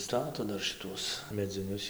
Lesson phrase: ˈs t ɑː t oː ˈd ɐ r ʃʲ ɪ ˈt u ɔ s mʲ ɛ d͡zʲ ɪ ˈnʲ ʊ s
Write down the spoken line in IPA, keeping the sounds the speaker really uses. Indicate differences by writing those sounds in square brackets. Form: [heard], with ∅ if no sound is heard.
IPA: ˈs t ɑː t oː ˈd ɐ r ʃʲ ɪ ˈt u ɔ s mʲ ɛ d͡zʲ ɪ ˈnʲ ʊ s

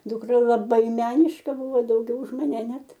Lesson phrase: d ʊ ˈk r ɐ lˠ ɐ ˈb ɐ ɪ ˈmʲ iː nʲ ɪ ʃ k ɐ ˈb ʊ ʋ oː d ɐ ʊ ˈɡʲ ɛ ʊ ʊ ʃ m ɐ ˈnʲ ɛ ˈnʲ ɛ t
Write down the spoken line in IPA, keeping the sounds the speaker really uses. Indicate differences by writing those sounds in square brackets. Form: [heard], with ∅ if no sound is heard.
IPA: d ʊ ˈk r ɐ lˠ ɐ ˈb ɐ ɪ ˈmʲ [æː] nʲ ɪ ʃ k ɐ ˈb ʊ ʋ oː d ɐ ʊ ˈɡʲ ɛ ʊ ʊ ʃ m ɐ ˈnʲ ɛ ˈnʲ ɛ t

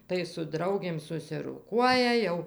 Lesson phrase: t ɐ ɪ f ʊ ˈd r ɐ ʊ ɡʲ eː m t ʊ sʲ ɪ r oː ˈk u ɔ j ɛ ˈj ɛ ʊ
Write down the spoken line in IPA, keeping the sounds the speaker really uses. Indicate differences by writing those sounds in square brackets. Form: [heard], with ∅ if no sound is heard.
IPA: t ɐ ɪ [s] ʊ ˈd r ɐ ʊ ɡʲ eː m [s] ʊ sʲ ɪ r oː ˈk u ɔ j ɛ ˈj ɛ ʊ

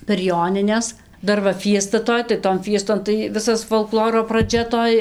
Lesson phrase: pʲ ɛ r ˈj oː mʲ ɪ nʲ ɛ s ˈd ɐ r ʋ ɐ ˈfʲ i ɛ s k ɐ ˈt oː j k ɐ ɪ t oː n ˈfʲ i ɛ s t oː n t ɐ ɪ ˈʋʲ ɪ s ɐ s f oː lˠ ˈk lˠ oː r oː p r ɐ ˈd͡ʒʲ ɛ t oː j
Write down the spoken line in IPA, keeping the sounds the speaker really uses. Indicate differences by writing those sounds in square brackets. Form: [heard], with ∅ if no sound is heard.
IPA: pʲ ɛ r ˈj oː [nʲ] ɪ nʲ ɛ s ˈd ɐ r ʋ ɐ ˈfʲ i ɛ s [t] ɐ ˈt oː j [t] ɐ ɪ t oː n ˈfʲ i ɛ s t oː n t ɐ ɪ ˈʋʲ ɪ s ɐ s f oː lˠ ˈk lˠ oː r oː p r ɐ ˈd͡ʒʲ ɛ t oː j

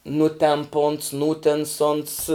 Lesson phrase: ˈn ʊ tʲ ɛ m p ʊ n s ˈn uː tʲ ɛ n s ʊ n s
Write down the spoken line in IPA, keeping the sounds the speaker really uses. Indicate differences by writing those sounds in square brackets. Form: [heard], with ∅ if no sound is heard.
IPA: ˈn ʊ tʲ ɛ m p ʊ n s ˈn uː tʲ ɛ n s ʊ n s

